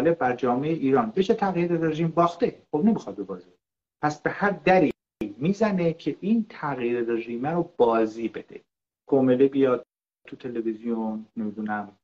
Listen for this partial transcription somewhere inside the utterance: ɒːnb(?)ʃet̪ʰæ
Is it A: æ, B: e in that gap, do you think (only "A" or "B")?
B